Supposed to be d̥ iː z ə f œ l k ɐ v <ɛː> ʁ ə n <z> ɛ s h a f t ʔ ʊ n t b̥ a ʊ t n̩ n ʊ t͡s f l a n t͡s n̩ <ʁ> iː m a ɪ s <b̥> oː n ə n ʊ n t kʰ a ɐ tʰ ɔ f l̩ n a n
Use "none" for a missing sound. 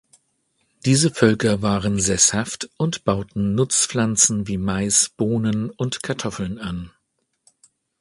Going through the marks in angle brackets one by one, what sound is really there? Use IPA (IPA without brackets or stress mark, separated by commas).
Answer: aː, z, v, b̥